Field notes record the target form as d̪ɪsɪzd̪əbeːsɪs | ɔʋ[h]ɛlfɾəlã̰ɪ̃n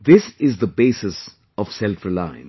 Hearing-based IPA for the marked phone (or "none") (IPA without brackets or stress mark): s